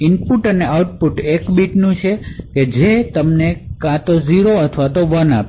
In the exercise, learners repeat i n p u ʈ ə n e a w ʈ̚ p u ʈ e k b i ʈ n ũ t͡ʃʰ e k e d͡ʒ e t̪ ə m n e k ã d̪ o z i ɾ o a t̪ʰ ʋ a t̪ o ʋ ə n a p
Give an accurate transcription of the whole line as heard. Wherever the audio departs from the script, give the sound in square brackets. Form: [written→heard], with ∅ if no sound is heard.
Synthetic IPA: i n p u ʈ ə n e a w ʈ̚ p u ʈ e k b i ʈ n ũ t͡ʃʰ e k e d͡ʒ e t̪ ə m n e k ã [d̪→t̪] o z i ɾ o [a→ə] t̪ʰ ʋ a t̪ o ʋ ə n a p